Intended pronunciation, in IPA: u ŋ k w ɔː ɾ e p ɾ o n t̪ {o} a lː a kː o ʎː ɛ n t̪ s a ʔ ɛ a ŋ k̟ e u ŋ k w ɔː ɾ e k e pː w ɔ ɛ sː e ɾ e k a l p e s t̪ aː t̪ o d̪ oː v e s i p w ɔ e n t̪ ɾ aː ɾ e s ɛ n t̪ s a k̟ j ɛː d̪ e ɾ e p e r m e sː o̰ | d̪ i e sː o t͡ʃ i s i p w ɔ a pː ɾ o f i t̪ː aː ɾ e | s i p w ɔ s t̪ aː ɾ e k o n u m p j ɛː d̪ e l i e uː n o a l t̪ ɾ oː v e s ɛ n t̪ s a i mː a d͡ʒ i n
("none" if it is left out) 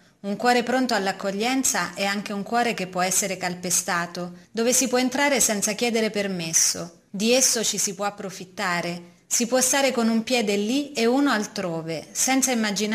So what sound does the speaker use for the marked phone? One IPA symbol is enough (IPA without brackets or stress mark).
o